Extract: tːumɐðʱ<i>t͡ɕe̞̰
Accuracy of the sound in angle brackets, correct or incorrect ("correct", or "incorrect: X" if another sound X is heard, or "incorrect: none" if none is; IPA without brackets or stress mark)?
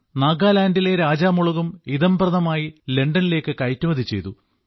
correct